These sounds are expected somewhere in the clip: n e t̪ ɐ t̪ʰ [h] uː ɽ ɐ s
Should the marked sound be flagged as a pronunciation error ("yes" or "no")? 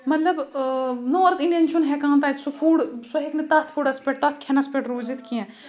yes